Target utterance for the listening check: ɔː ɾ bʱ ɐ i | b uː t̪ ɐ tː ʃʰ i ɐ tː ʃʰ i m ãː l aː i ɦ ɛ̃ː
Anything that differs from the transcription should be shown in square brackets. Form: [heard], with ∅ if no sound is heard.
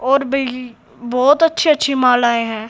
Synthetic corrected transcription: ɔː ɾ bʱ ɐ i | b [ɔː] t̪ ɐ tː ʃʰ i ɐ tː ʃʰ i m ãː l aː [e] ɦ ɛ̃ː